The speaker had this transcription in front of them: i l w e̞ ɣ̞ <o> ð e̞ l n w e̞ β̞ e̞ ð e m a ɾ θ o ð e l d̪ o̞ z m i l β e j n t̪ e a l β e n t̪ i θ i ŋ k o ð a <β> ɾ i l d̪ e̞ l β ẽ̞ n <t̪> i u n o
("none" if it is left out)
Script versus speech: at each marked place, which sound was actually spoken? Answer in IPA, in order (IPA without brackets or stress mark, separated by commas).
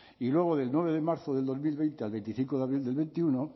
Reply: o, β, t̪